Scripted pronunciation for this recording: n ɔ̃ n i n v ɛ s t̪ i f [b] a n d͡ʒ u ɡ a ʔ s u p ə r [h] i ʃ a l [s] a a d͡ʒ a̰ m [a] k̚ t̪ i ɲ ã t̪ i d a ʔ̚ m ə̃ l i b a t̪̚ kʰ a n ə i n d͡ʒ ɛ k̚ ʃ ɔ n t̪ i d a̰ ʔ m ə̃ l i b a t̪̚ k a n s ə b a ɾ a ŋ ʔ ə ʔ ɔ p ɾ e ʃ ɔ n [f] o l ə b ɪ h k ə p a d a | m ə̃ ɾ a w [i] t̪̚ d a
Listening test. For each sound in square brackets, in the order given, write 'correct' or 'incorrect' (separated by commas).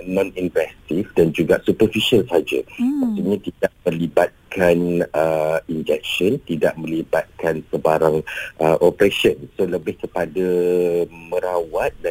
incorrect, incorrect, correct, correct, incorrect, incorrect